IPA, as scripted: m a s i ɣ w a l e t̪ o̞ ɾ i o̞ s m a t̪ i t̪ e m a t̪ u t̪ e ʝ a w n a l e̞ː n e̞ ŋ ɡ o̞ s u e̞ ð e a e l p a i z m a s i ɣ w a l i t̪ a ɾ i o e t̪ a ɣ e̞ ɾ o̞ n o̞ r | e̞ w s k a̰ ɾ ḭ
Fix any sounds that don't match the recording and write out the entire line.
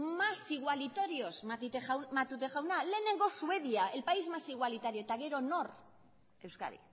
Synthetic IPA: m a s i ɣ w a l i t̪ o̞ ɾ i o̞ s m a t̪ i t̪ e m a t̪ u t̪ e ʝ a w n a l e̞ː n e̞ ŋ ɡ o̞ s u e̞ ð i a e l p a i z m a s i ɣ w a l i t̪ a ɾ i o e t̪ a ɣ e̞ ɾ o̞ n o̞ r | e̞ w s k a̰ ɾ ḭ